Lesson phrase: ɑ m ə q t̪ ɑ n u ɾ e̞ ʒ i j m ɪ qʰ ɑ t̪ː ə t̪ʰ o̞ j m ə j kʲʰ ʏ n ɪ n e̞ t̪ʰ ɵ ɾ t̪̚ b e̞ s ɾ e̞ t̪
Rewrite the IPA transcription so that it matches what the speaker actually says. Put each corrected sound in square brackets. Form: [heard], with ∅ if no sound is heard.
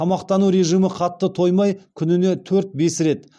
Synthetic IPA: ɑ m [ɑ] q t̪ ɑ n u ɾ e̞ ʒ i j m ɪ qʰ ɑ t̪ː ə t̪ʰ o̞ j m [ɑ] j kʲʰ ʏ n ɪ n e̞ t̪ʰ ɵ ɾ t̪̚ b e̞ s ɾ e̞ t̪